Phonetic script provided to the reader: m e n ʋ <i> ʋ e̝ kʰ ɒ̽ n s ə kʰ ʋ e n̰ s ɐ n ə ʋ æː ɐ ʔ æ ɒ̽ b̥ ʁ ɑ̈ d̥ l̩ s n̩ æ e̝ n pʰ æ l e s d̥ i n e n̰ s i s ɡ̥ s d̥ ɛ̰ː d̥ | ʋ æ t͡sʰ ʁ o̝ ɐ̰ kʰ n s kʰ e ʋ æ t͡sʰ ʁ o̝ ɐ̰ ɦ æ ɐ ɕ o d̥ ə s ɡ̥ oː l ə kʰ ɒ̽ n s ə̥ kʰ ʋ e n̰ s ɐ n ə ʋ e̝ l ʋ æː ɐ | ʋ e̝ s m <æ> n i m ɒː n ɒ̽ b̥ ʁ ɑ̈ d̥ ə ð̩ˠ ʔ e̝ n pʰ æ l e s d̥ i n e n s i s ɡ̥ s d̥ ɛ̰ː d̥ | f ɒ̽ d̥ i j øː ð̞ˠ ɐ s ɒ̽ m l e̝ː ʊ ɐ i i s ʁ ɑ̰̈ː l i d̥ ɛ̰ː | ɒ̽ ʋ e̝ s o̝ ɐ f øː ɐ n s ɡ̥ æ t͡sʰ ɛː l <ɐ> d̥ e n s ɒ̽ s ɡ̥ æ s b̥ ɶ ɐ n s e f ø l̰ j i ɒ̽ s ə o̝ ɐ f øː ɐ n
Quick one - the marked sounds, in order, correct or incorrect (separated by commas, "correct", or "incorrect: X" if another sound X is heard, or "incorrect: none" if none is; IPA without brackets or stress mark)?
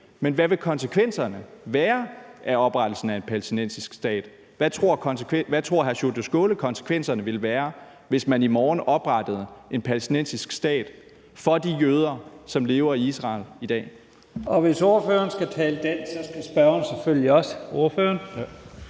incorrect: æ, correct, incorrect: ə